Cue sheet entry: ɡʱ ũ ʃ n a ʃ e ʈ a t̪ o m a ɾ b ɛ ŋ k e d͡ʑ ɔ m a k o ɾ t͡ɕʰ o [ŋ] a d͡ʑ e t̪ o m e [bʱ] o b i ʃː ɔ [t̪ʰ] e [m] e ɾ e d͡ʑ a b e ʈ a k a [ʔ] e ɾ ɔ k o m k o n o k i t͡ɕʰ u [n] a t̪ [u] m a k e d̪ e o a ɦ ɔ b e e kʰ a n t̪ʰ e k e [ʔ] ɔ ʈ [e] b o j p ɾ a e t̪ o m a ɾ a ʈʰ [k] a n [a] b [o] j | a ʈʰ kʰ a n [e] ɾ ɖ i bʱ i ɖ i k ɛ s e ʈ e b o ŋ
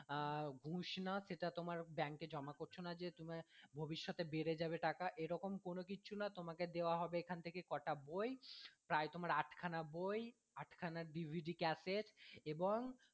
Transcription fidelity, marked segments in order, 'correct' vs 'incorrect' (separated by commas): incorrect, correct, incorrect, incorrect, correct, correct, incorrect, incorrect, incorrect, incorrect, correct, correct, incorrect